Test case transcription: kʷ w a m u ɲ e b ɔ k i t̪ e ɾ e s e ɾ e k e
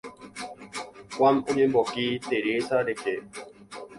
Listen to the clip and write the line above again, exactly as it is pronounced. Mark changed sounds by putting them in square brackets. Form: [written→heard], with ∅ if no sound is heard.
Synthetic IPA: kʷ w a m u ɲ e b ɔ k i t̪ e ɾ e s [e→a] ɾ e k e